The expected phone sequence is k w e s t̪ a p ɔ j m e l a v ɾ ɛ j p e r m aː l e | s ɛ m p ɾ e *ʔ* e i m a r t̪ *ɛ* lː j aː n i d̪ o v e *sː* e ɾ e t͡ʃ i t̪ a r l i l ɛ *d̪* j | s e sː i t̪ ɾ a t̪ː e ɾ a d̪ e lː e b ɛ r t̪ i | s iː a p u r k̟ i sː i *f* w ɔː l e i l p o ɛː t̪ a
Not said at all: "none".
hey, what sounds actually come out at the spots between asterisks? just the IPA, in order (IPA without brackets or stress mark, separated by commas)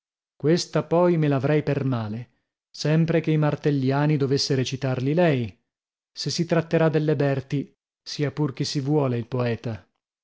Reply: k, e, sː, none, v